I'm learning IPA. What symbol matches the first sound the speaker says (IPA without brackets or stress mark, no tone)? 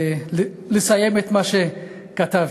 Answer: l